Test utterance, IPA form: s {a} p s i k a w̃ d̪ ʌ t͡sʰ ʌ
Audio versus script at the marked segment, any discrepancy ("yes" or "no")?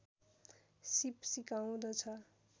yes